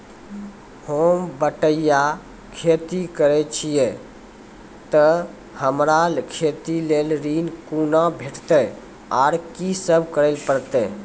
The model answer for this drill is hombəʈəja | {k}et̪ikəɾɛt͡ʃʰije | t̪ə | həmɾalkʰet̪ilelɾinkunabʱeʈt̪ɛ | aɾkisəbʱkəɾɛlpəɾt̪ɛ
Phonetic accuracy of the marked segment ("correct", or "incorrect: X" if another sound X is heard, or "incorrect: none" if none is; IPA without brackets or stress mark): incorrect: kʰ